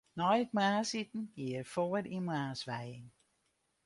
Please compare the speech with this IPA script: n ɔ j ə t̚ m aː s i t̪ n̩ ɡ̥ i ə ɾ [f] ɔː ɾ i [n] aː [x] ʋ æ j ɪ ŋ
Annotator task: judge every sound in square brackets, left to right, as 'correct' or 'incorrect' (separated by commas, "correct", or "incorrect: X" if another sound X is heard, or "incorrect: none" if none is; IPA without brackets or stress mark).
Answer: correct, incorrect: m, incorrect: s